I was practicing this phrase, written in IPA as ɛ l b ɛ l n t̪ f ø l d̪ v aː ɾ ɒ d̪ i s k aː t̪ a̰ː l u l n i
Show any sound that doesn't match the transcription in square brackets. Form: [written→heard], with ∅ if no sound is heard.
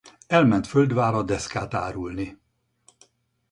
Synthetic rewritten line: ɛ l [b→m] ɛ [l→∅] n t̪ f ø l d̪ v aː ɾ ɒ d̪ [i→ɛ] s k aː t̪ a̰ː [l→ɾ] u l n i